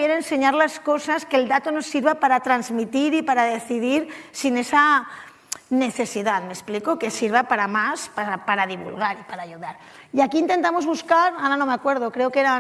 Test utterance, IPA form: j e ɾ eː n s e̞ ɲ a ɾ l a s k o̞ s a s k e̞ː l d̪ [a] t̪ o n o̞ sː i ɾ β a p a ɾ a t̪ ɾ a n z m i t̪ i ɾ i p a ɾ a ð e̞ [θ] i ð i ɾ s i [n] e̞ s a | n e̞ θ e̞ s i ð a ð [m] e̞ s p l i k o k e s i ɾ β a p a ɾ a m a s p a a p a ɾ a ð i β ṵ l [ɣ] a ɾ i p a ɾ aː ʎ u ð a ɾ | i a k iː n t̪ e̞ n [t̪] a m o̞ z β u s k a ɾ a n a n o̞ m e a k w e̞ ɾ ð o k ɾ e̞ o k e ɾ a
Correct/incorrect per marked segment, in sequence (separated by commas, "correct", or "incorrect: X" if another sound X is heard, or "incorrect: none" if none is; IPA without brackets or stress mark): correct, correct, correct, correct, correct, correct